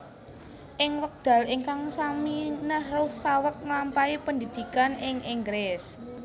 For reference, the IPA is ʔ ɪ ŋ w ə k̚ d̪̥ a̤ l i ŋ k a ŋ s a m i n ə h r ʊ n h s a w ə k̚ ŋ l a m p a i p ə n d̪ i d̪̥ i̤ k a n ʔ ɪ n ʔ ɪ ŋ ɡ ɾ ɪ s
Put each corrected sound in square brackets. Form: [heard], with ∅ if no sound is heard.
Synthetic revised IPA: ʔ ɪ ŋ w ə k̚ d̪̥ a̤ l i ŋ k a ŋ s a m i n ə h r ʊ [∅] h s a w ə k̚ ŋ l a m p a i p ə n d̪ i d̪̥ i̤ k a n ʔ ɪ [ŋ] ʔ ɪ ŋ ɡ ɾ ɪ s